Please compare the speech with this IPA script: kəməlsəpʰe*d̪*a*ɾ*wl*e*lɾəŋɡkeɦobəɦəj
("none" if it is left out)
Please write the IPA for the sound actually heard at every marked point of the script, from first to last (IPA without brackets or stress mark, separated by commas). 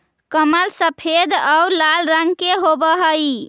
d̪, none, a